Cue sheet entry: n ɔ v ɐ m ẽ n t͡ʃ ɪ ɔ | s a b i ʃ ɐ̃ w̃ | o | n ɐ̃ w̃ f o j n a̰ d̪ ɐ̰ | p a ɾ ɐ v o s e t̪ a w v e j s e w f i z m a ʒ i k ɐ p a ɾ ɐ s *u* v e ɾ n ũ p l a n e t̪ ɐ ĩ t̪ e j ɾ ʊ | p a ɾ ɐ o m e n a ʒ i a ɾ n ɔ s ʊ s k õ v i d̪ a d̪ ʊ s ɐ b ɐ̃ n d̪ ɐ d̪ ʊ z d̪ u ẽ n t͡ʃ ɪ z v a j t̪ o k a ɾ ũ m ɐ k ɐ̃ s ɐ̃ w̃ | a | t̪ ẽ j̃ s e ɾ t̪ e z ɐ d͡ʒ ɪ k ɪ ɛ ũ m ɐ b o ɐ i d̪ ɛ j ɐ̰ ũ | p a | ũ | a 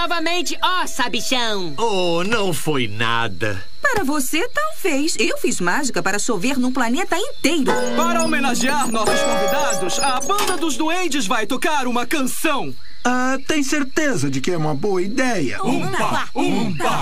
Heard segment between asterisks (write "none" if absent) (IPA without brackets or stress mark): o